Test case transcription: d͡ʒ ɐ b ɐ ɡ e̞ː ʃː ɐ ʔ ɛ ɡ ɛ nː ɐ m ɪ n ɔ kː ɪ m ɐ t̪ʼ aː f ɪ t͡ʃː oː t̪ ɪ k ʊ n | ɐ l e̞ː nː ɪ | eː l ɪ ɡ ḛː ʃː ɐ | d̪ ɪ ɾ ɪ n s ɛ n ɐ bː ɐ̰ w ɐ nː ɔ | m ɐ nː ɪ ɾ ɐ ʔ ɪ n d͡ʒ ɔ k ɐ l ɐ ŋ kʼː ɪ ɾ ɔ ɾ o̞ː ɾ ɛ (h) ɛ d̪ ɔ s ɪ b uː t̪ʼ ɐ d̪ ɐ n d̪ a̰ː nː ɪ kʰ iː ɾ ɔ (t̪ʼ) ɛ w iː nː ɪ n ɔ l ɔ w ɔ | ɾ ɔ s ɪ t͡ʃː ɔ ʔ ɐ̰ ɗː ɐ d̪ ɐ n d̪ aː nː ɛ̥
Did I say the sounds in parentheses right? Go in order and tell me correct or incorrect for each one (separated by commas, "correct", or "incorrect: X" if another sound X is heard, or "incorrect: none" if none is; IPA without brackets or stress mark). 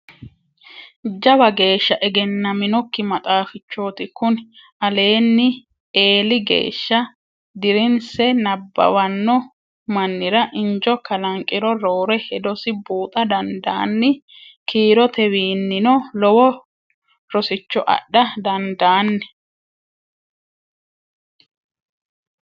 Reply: correct, incorrect: t̪